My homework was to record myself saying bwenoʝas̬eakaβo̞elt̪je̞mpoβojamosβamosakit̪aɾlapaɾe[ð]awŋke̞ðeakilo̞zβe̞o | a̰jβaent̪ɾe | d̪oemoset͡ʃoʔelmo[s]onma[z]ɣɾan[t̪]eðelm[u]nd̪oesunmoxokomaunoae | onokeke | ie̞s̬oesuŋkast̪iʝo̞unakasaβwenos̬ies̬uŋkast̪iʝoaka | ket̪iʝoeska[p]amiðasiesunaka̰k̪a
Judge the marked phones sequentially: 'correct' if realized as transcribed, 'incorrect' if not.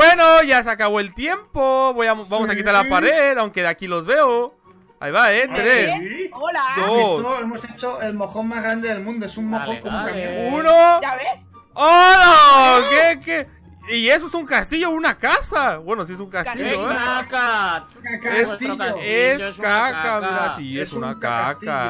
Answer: correct, incorrect: x, correct, incorrect: d̪, incorrect: ũ, incorrect: k

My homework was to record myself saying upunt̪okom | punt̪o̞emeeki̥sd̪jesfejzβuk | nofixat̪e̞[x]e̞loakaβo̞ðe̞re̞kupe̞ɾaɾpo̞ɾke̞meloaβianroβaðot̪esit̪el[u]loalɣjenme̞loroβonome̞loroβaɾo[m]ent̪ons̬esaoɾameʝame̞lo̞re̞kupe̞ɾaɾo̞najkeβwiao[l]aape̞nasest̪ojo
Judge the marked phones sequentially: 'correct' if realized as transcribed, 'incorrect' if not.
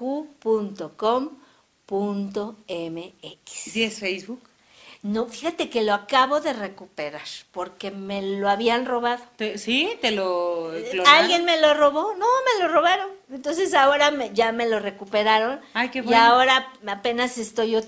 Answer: incorrect: k, incorrect: o, incorrect: n, incorrect: ɾ

